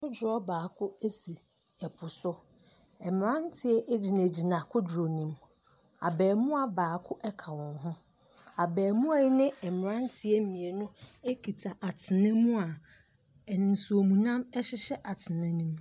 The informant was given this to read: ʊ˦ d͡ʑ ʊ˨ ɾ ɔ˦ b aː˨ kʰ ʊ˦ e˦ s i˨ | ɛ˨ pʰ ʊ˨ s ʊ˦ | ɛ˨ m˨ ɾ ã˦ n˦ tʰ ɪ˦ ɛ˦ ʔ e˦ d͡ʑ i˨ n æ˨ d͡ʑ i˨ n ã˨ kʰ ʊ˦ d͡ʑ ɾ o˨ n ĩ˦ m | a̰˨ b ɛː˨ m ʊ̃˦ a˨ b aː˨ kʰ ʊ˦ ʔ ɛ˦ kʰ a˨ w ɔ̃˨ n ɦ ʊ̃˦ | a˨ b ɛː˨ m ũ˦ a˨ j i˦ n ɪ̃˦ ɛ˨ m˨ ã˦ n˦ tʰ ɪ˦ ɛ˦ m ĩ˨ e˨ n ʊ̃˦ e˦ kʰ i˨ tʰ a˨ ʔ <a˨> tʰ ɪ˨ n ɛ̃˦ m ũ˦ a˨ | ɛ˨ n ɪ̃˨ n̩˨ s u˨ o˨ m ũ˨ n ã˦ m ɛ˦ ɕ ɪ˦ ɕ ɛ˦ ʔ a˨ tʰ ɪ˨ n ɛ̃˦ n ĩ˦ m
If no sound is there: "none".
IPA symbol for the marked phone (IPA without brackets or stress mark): a˨